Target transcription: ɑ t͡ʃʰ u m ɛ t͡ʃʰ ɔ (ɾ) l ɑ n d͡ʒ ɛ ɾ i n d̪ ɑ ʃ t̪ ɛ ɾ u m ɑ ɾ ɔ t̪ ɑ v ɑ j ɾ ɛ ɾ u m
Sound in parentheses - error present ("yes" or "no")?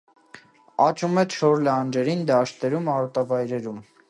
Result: no